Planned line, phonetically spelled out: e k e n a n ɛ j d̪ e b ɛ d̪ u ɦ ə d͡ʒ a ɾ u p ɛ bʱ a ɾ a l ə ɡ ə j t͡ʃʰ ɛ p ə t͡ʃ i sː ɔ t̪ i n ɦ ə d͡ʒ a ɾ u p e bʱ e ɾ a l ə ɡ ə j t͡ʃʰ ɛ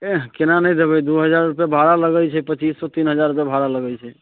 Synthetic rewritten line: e k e n a n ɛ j d̪ e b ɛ d̪ u ɦ ə d͡ʒ a ɾ u p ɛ bʱ a ɾ a l ə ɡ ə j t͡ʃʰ ɛ p ə t͡ʃ i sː ɔ t̪ i n ɦ ə d͡ʒ a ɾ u p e bʱ a ɾ a l ə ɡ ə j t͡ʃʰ ɛ